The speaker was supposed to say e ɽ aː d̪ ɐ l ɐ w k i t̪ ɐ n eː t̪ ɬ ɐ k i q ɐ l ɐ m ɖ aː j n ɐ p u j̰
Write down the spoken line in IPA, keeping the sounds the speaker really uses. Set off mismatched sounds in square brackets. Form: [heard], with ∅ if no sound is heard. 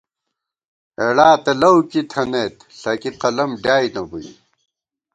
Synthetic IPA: e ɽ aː [t̪] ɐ l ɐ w k i [t̪ʰ] ɐ n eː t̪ ɬ ɐ k i q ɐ l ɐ m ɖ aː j n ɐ [b] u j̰